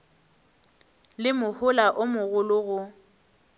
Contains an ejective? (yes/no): no